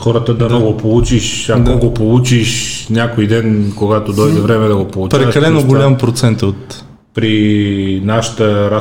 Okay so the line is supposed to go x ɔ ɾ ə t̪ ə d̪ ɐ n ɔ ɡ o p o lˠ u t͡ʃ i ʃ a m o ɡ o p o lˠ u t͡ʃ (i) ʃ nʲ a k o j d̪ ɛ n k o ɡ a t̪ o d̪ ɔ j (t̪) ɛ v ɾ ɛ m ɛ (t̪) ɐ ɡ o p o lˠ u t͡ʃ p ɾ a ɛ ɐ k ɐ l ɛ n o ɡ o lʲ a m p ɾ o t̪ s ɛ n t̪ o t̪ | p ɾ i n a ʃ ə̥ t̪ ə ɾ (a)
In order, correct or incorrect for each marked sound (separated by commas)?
correct, incorrect, incorrect, correct